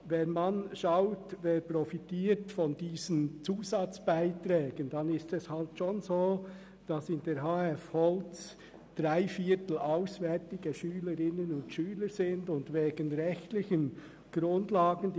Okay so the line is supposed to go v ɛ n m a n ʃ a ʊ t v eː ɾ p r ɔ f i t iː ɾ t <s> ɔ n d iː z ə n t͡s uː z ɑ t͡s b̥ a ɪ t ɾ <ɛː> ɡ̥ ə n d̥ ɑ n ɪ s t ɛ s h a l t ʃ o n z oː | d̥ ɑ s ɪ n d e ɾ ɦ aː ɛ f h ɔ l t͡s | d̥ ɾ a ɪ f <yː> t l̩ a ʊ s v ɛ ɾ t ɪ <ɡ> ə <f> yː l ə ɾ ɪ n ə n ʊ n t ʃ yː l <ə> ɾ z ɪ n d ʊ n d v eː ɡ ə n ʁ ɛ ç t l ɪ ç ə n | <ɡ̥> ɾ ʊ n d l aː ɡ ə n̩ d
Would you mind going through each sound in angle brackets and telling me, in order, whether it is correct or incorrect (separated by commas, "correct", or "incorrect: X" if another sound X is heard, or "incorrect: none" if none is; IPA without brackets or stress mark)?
incorrect: f, correct, incorrect: iː, correct, incorrect: ʃ, correct, correct